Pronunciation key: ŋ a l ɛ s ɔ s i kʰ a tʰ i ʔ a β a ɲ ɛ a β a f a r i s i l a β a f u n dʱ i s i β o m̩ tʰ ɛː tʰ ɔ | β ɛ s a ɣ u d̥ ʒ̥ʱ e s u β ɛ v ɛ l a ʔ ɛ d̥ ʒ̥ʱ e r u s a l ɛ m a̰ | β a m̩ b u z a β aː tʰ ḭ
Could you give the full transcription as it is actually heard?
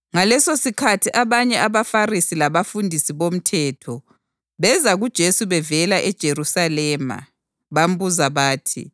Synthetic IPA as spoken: ŋ a l ɛ s o s i kʰ a tʰ i ʔ a β a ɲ ɛ a β a f a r i s i l a β a f u n dʱ i s i β o m̩ tʰ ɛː tʰ ɔ | β ɛ z a ɣ u d̥ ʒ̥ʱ e s u β ɛ v ɛ l a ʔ ɛ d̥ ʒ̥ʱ e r u s a l ɛ m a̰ | β a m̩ b u z a β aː tʰ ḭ